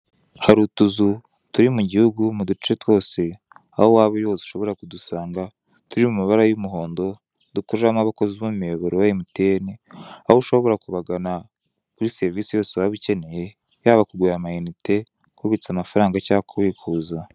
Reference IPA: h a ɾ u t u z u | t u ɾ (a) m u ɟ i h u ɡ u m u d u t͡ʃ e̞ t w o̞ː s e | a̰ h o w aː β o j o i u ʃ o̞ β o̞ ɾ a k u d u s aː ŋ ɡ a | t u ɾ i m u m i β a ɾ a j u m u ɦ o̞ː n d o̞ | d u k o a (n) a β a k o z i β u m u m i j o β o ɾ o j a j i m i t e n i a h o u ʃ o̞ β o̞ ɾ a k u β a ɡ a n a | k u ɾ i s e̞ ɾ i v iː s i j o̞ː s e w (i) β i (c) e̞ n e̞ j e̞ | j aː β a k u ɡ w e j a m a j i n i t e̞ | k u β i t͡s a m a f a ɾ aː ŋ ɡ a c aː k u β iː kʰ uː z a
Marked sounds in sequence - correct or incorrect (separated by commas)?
incorrect, incorrect, incorrect, correct